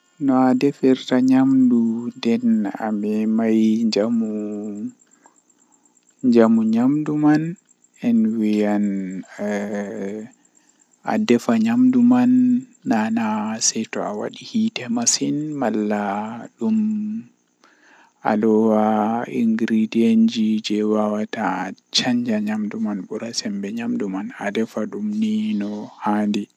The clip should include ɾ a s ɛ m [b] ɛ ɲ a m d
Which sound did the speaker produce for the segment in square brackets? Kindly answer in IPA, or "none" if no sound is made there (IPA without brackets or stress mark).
b